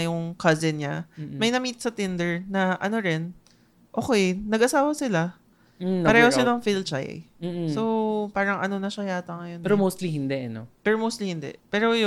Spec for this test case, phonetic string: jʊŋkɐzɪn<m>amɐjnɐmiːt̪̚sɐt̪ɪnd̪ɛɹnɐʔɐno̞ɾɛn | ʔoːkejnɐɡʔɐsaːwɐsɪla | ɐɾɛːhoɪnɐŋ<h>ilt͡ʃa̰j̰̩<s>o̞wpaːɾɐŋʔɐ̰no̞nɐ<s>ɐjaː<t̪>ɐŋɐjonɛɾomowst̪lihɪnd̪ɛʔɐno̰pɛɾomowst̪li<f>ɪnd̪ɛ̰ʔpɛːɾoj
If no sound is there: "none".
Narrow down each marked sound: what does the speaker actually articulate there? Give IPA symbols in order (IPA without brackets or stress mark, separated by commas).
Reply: ɲ, f, s, ʃ, t̪, h